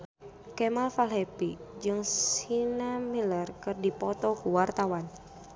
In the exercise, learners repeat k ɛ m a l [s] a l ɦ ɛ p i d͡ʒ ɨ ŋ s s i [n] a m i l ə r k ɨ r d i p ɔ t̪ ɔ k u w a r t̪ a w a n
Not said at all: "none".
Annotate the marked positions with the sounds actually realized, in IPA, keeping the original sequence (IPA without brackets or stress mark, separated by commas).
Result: f, n